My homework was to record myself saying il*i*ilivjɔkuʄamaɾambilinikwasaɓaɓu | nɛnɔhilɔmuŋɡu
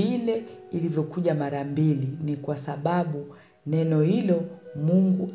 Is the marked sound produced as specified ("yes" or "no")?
no